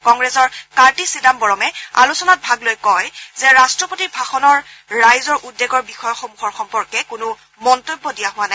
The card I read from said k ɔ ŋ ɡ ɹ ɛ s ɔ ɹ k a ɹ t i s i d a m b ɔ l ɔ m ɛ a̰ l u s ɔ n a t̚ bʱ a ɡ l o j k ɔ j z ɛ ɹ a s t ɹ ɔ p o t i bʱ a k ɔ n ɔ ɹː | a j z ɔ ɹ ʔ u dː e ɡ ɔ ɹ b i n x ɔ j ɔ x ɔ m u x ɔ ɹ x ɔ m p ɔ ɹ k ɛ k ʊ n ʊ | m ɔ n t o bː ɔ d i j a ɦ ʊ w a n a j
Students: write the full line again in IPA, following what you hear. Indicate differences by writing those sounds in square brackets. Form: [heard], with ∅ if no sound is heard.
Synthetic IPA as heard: k ɔ ŋ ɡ ɹ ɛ s ɔ ɹ k a ɹ t i s i d a m b ɔ [ɹ] ɔ m ɛ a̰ l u s ɔ n a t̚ bʱ a ɡ l o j k ɔ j z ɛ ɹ a s t ɹ ɔ p o t i bʱ a [x] ɔ n ɔ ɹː | a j z ɔ ɹ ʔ u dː e ɡ ɔ ɹ b i [∅] x ɔ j ɔ x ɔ m u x ɔ ɹ x ɔ m p ɔ ɹ k ɛ k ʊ n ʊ | m ɔ n t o bː ɔ d i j a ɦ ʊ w a n a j